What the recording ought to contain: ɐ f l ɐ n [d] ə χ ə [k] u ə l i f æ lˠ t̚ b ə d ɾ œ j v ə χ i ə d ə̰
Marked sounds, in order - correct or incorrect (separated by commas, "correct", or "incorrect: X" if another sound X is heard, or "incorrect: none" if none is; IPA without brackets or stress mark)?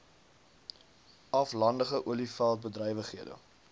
correct, incorrect: ʔ